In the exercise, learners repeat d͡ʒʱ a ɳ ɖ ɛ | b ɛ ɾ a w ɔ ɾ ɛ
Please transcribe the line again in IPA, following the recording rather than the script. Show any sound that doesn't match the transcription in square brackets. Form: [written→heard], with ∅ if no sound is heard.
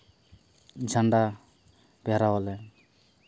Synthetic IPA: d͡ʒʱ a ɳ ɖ [ɛ→a] | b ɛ ɾ a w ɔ [ɾ→l] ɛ